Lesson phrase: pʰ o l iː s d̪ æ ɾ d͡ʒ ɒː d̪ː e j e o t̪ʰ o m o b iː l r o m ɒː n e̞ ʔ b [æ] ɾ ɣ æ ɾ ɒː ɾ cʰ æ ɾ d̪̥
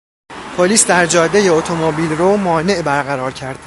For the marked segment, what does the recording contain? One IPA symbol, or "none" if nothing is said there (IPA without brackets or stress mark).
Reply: æ